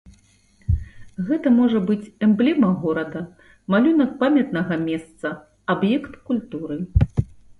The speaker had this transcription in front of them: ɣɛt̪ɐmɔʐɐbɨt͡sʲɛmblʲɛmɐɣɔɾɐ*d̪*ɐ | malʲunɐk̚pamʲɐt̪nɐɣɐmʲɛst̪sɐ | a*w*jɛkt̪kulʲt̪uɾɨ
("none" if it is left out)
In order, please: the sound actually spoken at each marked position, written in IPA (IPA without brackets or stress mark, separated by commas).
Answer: d̪, b